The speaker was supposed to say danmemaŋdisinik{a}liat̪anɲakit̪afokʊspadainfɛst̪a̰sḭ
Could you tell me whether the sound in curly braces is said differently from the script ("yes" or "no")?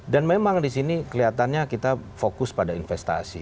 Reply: yes